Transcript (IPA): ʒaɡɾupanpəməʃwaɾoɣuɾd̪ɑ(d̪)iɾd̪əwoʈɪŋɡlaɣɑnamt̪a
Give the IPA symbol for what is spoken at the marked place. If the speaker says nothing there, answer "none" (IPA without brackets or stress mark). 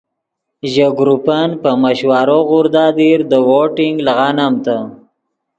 d̪